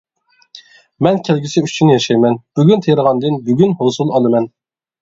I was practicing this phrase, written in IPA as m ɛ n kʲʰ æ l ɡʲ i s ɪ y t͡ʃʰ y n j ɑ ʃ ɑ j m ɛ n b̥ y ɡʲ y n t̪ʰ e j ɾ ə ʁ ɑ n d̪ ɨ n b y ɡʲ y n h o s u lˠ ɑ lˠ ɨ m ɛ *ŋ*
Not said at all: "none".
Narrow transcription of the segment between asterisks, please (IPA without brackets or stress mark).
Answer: n